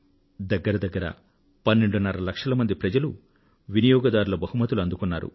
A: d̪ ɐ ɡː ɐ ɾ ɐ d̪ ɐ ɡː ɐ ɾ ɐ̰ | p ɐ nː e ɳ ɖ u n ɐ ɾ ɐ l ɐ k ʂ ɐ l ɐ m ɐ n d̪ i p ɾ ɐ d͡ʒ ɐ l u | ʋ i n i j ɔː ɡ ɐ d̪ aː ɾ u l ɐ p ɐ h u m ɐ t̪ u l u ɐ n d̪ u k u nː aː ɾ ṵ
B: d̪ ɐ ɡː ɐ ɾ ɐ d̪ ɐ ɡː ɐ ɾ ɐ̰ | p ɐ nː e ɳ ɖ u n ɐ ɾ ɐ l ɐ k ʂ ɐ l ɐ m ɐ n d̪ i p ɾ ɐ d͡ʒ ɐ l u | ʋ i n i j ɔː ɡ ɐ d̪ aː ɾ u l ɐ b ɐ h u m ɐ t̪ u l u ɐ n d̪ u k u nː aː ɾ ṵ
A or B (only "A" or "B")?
B